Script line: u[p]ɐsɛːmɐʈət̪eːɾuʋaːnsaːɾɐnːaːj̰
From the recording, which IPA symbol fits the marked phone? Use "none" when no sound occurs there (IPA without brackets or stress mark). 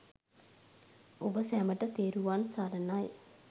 b